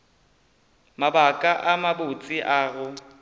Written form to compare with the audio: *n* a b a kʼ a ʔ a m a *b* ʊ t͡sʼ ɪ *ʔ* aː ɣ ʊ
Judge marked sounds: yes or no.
no, yes, yes

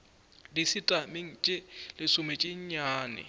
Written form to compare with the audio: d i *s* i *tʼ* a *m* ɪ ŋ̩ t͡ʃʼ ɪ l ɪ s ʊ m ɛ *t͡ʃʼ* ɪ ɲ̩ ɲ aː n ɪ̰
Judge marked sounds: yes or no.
yes, yes, yes, yes

